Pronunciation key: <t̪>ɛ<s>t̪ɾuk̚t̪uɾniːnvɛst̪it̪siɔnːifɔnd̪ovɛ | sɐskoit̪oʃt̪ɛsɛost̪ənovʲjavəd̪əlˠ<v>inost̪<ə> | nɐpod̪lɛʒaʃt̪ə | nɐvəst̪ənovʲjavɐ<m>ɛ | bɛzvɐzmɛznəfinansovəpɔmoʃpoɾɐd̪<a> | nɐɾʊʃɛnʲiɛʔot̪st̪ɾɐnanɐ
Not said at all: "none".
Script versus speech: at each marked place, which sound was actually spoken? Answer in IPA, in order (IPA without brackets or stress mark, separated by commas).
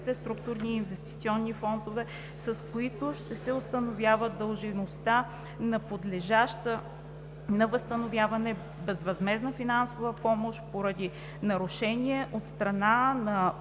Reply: t̪, s, ʒ, a, n, i